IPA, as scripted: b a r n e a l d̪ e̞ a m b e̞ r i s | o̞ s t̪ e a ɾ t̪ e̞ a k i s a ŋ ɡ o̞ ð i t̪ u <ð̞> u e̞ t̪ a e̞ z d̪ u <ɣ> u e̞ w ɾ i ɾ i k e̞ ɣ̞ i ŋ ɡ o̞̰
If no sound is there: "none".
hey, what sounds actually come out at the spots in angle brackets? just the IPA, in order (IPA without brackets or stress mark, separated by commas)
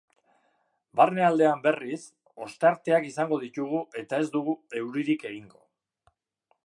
ɣ̞, ɣ